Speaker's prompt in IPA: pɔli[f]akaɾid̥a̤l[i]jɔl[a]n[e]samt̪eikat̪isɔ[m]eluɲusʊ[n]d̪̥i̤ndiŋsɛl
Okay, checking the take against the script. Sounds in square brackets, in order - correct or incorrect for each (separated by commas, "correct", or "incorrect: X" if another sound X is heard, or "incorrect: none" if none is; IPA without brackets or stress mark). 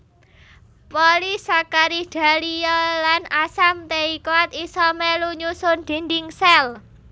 incorrect: s, correct, correct, incorrect: a, correct, correct